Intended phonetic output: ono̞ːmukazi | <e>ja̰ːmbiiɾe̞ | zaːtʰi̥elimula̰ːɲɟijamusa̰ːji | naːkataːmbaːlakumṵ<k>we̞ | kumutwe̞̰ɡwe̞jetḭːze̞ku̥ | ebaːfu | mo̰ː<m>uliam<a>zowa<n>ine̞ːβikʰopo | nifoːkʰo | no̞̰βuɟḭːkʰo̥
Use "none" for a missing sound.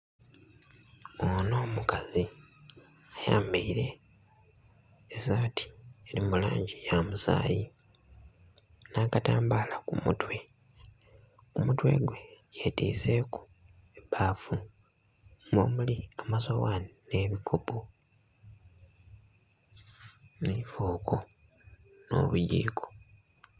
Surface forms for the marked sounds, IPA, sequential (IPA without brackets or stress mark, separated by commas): a, t, m, a, n